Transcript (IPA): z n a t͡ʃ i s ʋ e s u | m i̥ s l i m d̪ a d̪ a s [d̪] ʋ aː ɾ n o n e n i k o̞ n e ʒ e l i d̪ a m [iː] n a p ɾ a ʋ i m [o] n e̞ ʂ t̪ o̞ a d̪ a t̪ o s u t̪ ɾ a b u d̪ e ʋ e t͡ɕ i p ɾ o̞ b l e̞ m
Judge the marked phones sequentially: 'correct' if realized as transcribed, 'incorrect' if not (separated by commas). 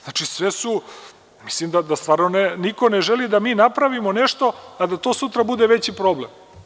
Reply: incorrect, correct, correct